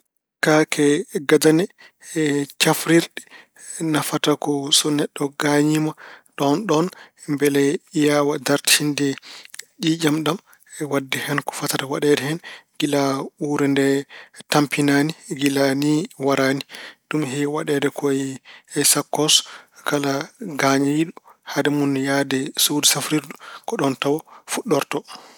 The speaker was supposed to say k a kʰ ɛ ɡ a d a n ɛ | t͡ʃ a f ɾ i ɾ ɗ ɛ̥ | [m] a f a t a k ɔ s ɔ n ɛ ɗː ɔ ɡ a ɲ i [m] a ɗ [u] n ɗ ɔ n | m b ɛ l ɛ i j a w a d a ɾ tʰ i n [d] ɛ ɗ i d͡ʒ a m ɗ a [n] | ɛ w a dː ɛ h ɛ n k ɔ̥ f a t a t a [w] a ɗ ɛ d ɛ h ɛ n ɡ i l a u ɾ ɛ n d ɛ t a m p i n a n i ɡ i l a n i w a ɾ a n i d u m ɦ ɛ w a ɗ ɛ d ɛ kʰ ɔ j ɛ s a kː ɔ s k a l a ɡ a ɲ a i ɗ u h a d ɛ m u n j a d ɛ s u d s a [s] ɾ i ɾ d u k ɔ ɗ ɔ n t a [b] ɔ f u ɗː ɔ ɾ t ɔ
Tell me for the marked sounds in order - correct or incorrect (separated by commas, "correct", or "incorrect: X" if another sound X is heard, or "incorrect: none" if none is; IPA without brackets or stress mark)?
incorrect: n, correct, incorrect: ɔ, correct, incorrect: m, correct, incorrect: f, incorrect: w